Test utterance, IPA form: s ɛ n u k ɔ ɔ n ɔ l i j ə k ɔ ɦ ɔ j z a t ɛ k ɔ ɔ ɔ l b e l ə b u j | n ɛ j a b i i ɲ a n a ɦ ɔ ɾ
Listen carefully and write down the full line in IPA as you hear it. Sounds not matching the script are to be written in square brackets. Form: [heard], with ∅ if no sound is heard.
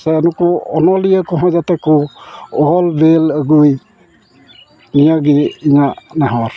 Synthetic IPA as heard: s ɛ n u k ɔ ɔ n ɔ l i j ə k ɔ ɦ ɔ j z a t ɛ k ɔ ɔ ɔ l b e l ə [ɡ] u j | n [i] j a [ɡ] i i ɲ a n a ɦ ɔ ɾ